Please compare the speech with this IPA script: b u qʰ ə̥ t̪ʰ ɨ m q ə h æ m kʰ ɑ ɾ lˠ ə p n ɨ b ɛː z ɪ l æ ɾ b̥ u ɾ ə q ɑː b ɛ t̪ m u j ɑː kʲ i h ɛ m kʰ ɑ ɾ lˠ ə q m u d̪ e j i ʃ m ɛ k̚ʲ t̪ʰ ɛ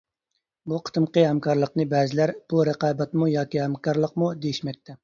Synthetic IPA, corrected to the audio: b u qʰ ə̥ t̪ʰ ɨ m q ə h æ m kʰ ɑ ɾ lˠ ə q n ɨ b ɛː z ɪ l æ ɾ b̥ u ɾ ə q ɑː b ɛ t̪ m u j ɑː kʲ i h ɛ m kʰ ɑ ɾ lˠ ə q m u d̪ e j i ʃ m ɛ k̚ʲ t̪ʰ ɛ